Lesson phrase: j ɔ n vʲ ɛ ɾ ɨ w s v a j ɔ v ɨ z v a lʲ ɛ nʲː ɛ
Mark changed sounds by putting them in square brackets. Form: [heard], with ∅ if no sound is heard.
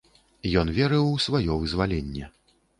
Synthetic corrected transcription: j ɔ n vʲ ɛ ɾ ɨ w s v a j ɔ v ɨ z v a lʲ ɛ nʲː ɛ